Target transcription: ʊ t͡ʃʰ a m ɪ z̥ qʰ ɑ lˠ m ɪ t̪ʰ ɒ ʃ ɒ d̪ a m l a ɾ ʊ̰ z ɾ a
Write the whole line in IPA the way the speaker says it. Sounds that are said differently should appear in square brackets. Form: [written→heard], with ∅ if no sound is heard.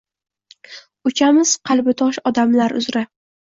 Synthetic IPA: ʊ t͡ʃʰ a m ɪ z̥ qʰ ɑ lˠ [m→b] ɪ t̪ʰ ɒ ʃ ɒ d̪ a m l a ɾ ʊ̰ z ɾ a